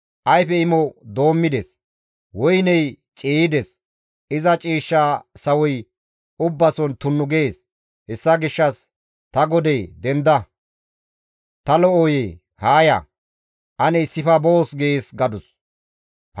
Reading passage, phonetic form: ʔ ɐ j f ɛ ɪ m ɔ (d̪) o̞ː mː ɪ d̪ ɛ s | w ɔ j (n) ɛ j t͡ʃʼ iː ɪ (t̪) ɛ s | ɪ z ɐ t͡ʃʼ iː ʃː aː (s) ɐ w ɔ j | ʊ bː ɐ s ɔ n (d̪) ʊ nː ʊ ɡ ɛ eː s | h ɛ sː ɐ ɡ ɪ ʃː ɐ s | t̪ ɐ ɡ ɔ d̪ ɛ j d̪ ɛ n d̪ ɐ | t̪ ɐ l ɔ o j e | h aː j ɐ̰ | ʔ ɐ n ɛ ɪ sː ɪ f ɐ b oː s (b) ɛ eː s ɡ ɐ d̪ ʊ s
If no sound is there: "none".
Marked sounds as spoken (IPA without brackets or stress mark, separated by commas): d̪, n, d̪, s, t̪, ɡ